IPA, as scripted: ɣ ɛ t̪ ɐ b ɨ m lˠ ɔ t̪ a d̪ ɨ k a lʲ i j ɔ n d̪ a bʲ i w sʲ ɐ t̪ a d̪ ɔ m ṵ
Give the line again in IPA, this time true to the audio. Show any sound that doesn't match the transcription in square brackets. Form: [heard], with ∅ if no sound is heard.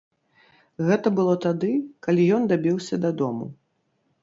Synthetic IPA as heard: ɣ ɛ t̪ ɐ b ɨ [∅] lˠ ɔ t̪ a d̪ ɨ k a lʲ i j ɔ n d̪ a bʲ i w sʲ ɐ [d̪] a d̪ ɔ m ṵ